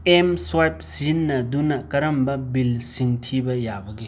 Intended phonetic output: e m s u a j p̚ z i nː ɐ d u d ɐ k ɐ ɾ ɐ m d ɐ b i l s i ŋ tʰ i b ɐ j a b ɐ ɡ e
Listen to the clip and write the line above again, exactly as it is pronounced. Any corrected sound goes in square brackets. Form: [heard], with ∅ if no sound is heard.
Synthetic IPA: e m s [w] a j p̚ [s] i nː ɐ d u [n] ɐ k ɐ ɾ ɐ m [b] ɐ b i l s i ŋ tʰ i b ɐ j a b ɐ ɡ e

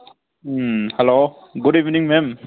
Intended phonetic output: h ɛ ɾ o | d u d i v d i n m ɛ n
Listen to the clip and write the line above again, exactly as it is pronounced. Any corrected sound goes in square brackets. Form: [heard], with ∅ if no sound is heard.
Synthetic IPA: h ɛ [l] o | [ɡ] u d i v [n] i [ŋ] m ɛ [m]

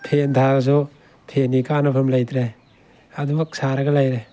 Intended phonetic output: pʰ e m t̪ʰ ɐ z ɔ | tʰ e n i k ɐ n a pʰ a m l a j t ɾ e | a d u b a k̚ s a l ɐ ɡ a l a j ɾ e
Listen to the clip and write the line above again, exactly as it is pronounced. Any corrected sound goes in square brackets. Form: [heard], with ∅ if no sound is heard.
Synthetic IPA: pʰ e [n] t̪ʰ [a] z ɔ | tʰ e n i k [a] n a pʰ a m l a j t ɾ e | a d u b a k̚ s a [ɾ] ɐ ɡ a l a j ɾ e

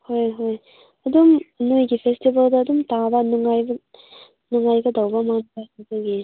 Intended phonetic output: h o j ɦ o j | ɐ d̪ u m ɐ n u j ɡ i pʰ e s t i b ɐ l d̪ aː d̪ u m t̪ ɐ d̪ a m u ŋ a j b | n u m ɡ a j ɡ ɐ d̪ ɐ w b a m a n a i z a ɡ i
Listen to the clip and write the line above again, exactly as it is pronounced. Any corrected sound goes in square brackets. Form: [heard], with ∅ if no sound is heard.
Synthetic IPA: h o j ɦ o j | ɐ d̪ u m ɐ n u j ɡ i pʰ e s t i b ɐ l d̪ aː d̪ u m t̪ [a] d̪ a [n] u ŋ a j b | n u [ŋ] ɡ a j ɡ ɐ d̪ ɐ w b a m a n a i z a ɡ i

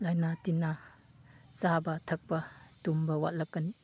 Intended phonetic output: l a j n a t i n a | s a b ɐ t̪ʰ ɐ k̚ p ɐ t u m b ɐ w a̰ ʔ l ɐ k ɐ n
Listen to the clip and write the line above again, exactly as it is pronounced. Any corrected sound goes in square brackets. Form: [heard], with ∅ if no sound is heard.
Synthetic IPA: l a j n a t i n a | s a b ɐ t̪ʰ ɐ k̚ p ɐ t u m b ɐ w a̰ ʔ l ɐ k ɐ n

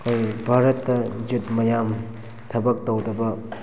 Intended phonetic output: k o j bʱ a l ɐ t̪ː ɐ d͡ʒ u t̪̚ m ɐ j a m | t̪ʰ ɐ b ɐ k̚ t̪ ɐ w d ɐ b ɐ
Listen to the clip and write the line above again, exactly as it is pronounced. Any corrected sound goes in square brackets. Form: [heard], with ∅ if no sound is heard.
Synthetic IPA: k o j bʱ a [ɾ] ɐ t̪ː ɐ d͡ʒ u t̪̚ m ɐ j a m | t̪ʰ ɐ b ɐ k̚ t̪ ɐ w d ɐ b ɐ

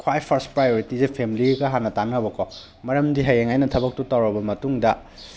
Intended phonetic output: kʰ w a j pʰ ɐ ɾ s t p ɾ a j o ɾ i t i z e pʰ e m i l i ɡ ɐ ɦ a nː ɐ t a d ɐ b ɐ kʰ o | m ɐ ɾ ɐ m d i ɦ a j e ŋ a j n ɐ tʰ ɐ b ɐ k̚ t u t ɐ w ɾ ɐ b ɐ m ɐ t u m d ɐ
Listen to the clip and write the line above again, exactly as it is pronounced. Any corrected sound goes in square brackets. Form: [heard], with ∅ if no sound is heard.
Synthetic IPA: kʰ w a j pʰ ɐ ɾ s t p ɾ a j o ɾ i t i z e pʰ e m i l i ɡ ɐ ɦ a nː ɐ t a [n] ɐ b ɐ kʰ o | m ɐ ɾ ɐ m d i ɦ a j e ŋ a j n ɐ tʰ ɐ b ɐ k̚ t u t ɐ w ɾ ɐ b ɐ m ɐ t u [ŋ] d ɐ

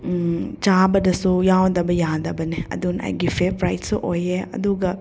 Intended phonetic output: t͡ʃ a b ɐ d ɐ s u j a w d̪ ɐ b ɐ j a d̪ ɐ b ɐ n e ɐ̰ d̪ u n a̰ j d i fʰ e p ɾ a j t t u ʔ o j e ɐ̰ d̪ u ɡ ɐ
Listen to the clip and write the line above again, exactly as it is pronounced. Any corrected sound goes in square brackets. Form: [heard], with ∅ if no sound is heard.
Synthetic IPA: t͡ʃ a b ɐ d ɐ s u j a w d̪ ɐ b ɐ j a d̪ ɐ b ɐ n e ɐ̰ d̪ u n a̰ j [ɡ] i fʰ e p ɾ a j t [s] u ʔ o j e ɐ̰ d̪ u ɡ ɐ

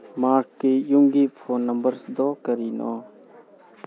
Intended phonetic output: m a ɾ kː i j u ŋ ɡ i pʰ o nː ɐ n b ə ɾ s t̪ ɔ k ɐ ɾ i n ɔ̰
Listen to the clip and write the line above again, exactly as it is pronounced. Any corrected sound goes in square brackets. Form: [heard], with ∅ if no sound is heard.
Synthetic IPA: m a ɾ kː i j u ŋ ɡ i pʰ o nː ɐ [m] b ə ɾ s [d̪] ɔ k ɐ ɾ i n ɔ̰

